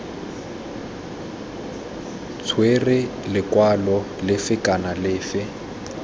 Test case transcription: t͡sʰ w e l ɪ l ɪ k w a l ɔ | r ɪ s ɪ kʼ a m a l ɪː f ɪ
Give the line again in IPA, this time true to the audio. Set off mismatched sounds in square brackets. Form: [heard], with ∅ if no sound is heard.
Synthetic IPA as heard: t͡sʰ w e [r] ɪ l ɪ k w a l ɔ | [l] ɪ [f] ɪ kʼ a [n] a l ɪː f ɪ